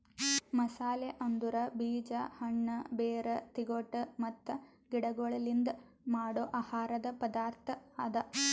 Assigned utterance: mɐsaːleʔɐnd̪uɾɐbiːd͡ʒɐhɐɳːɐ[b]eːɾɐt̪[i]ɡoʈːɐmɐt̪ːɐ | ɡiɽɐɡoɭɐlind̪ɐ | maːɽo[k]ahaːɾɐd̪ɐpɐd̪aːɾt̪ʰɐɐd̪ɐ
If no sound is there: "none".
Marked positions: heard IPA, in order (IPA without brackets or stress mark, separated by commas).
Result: b, i, ʔ